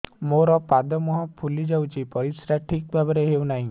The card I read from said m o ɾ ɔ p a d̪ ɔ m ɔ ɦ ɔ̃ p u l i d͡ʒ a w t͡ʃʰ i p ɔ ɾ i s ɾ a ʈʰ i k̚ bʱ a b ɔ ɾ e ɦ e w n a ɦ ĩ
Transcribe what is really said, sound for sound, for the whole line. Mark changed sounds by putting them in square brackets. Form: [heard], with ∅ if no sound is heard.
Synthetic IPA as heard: m o ɾ ɔ p a d̪ ɔ m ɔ ɦ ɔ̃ [pʰ] u l i d͡ʒ a w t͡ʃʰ i p ɔ ɾ i s ɾ a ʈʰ i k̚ bʱ a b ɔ ɾ e ɦ e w n a ɦ ĩ